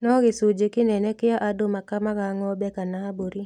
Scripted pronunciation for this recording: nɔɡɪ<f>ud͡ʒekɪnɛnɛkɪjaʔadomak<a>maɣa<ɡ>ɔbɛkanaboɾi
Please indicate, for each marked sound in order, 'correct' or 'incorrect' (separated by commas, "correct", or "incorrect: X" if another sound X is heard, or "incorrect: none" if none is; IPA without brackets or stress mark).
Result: incorrect: s, correct, incorrect: ŋ